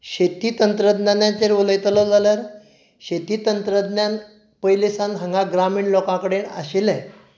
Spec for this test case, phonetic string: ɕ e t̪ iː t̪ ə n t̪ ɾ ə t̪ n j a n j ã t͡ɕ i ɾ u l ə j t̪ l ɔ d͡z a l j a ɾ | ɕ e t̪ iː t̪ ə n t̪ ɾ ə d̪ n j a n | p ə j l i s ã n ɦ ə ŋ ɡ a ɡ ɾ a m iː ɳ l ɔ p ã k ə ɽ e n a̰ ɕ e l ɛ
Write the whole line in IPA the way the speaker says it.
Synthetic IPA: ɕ e t̪ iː t̪ ə n t̪ ɾ ə d̪ n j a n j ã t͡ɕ e ɾ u l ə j t̪ l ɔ d͡z a l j a ɾ | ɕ e t̪ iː t̪ ə n t̪ ɾ ə d̪ n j a n | p ə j l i s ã n ɦ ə ŋ ɡ a ɡ ɾ a m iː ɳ l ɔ k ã k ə ɽ e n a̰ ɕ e l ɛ